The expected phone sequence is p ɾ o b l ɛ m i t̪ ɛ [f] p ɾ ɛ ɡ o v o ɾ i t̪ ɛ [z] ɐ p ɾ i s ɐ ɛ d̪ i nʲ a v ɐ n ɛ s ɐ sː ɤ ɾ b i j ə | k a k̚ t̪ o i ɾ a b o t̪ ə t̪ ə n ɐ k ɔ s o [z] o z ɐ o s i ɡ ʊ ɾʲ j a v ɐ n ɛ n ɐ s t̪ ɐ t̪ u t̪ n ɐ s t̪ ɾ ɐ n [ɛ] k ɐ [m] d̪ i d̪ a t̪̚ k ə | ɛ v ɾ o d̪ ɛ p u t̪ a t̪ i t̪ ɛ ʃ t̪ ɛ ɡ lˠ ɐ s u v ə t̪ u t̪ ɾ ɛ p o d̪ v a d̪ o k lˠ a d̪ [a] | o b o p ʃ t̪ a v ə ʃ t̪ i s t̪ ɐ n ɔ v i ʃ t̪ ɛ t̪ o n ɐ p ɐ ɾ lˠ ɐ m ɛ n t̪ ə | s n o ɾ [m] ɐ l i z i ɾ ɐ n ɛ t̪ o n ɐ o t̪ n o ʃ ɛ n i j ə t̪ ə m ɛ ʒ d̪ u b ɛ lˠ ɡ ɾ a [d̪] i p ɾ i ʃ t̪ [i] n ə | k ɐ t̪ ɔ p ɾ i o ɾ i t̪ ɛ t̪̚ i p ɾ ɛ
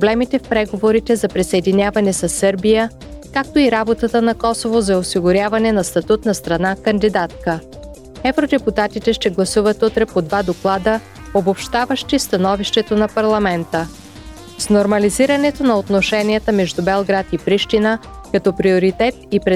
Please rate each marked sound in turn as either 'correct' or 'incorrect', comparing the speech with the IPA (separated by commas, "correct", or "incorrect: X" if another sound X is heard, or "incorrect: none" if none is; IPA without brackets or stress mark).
correct, correct, incorrect: v, incorrect: a, incorrect: n, incorrect: ə, correct, incorrect: t̪, correct